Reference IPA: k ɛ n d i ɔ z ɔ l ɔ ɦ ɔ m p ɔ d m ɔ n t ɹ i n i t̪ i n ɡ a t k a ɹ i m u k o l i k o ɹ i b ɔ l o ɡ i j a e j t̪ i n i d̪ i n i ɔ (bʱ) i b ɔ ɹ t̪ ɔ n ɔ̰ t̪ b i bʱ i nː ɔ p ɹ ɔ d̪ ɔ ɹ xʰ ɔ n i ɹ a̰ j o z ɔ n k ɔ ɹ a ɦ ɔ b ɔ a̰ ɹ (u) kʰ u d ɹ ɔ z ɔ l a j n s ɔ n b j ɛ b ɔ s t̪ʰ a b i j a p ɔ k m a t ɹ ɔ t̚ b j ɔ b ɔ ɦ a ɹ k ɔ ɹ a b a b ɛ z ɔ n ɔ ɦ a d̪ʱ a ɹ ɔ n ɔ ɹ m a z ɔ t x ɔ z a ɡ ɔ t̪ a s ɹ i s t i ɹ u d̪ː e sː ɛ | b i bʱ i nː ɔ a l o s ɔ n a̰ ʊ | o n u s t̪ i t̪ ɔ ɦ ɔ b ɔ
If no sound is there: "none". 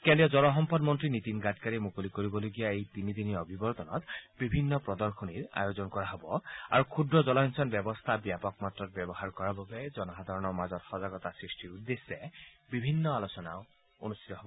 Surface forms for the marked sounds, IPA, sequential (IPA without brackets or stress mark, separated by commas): bʱ, u